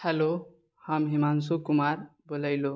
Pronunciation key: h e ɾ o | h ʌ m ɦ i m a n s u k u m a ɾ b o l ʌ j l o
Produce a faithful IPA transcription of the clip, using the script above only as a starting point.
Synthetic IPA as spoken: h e l o | h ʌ m ɦ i m a n s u k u m a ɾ b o l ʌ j l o